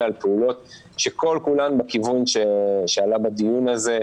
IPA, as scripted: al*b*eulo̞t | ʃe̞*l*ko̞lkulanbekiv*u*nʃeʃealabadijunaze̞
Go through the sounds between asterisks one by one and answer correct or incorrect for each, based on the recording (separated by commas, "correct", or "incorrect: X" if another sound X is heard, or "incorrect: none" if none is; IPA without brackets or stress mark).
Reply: incorrect: p, incorrect: none, correct